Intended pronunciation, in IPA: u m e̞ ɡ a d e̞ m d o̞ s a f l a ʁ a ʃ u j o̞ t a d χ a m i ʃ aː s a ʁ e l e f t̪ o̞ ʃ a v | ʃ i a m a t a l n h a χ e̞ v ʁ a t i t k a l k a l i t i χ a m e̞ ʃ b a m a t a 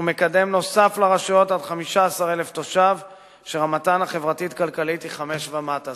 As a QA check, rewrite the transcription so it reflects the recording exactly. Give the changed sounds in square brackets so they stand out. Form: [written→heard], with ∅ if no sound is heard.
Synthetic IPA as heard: u m e̞ [ɡ→k] a d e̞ m [d→n] o̞ s a f l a ʁ a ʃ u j o̞ t a d χ a m i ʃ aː s a ʁ e l e f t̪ o̞ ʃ a v | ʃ [i→e] a m a t a [l→∅] n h a χ e̞ v ʁ a t i t k a l k a l i t i χ a m e̞ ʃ [b→v] a m a t a